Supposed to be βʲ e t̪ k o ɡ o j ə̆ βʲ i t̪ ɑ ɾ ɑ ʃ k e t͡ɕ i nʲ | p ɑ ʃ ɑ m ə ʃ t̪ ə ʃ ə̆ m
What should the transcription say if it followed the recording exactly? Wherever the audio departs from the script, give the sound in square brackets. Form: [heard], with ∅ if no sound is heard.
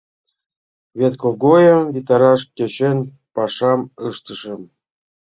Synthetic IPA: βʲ e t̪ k o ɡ o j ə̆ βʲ i t̪ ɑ ɾ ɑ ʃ k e t͡ɕ [e] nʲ | p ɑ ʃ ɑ m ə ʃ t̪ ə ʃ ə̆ m